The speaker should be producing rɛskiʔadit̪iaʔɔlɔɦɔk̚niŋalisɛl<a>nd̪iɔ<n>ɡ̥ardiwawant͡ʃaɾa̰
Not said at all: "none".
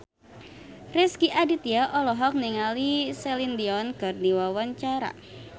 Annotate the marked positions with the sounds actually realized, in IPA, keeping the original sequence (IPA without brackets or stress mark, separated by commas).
i, n